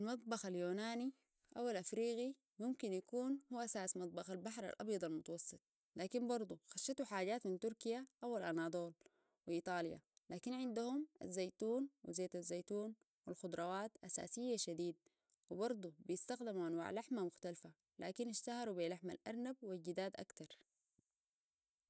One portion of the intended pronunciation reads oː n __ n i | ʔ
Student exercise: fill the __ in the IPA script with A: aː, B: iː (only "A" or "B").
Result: A